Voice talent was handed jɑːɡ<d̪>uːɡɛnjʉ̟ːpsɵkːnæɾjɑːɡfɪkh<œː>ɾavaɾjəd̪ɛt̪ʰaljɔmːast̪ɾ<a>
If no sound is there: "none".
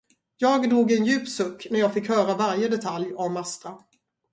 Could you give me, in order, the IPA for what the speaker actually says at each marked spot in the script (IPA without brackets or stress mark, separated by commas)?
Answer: d̪, œː, a